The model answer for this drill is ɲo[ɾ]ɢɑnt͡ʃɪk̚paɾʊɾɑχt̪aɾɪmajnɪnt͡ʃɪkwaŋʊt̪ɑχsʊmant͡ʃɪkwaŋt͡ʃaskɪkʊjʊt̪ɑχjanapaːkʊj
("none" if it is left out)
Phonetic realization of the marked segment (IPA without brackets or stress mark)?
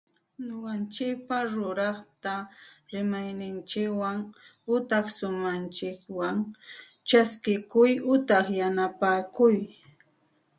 none